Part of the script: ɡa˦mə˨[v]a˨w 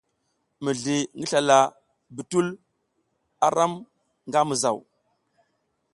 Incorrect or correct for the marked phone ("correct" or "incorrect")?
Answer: incorrect